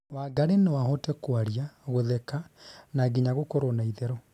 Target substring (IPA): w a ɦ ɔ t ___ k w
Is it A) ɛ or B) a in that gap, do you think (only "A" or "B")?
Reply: A